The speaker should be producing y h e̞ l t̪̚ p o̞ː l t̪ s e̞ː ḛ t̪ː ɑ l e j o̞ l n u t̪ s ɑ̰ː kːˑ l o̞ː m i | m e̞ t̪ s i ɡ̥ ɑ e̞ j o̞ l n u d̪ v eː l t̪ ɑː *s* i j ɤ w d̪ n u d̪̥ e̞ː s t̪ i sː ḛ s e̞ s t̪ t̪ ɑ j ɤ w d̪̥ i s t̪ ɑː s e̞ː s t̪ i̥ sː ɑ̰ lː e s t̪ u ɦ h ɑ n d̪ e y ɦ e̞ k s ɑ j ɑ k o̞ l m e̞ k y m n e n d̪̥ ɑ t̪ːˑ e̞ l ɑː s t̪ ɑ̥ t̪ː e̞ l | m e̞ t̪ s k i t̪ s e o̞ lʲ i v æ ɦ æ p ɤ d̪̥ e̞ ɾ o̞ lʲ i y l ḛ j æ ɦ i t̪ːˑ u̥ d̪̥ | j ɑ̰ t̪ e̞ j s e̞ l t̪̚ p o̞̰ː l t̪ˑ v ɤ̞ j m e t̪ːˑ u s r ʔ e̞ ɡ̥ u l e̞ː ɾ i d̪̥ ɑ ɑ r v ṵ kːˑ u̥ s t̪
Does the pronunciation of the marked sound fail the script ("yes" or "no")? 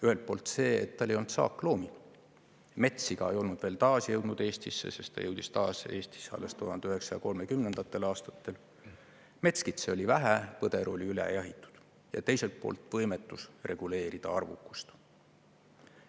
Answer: no